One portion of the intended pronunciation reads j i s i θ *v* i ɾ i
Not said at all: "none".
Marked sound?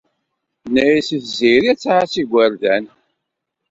z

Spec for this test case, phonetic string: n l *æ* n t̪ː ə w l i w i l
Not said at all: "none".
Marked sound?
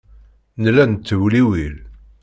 æ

